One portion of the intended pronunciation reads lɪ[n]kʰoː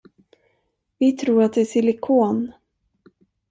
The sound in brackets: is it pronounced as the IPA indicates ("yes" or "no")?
no